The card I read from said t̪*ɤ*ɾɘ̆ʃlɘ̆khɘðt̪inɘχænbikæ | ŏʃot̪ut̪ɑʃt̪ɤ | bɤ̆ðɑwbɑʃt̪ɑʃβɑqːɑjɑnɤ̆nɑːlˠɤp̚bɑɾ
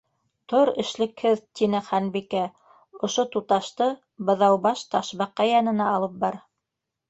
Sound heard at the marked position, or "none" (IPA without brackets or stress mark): o